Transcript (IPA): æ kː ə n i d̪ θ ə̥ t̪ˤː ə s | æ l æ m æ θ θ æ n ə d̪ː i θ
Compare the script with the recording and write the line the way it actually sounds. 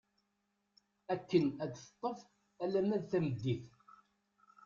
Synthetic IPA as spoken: æ kː ə n æ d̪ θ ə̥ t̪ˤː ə f | æ l æ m æ ð θ æ m ə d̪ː i θ